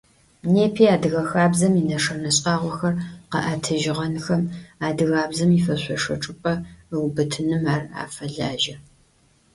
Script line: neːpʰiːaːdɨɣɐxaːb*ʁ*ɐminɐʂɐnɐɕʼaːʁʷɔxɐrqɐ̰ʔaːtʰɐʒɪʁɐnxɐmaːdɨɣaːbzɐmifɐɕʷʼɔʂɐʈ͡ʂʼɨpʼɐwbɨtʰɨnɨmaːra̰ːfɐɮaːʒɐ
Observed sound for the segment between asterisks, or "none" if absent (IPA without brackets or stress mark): z